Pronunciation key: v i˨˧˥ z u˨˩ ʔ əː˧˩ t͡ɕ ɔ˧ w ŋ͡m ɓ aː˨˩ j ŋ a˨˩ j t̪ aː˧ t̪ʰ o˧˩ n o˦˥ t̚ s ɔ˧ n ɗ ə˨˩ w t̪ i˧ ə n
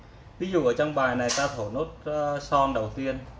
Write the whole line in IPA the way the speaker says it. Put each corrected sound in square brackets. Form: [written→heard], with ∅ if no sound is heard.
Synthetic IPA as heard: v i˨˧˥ z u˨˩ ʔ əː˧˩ t͡ɕ ɔ˧ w ŋ͡m ɓ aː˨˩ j [ŋ→n] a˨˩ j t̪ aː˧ t̪ʰ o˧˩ n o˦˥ t̚ s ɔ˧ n ɗ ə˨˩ w t̪ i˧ ə n